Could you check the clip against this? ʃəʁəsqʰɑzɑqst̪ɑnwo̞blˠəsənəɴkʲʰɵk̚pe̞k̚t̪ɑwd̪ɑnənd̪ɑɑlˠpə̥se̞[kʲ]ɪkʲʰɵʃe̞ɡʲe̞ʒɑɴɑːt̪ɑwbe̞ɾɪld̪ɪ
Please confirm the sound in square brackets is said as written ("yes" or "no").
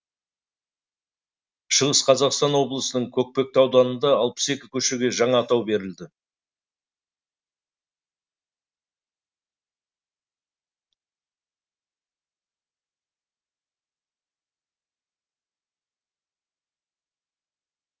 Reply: yes